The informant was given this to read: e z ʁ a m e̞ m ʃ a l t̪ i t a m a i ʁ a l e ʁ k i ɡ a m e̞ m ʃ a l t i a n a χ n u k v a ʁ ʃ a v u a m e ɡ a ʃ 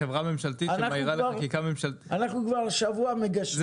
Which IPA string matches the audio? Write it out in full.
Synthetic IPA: e v ʁ a m e̞ m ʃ a l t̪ i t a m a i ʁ a l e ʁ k i k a m e̞ m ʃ a l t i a n a χ n u k v a ʁ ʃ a v u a m e ɡ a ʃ